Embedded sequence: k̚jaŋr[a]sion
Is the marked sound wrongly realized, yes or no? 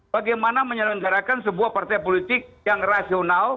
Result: no